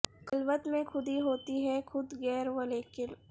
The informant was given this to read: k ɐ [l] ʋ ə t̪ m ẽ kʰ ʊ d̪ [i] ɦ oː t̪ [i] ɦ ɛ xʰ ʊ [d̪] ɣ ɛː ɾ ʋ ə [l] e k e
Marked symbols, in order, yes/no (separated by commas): yes, yes, yes, yes, yes